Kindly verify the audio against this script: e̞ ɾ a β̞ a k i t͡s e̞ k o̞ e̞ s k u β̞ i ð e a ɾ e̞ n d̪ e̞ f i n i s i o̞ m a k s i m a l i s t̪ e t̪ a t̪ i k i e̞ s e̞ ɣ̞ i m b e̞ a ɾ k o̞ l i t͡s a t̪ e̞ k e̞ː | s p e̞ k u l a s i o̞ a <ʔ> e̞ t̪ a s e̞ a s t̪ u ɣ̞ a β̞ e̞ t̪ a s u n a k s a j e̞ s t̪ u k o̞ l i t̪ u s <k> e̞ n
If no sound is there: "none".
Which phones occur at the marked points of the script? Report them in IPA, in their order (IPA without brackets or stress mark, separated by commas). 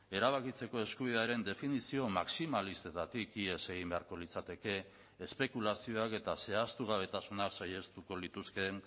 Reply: k, k